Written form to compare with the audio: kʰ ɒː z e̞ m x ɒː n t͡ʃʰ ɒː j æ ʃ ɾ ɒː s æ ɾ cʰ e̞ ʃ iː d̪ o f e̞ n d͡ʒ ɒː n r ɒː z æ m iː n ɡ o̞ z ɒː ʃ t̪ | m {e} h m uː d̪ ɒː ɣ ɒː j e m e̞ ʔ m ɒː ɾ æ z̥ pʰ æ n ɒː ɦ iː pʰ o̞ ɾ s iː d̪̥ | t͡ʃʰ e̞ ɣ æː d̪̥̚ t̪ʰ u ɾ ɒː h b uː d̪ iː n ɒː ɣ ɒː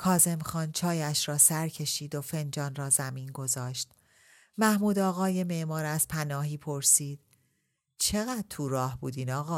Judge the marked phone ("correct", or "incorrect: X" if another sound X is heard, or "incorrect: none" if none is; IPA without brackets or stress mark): incorrect: æ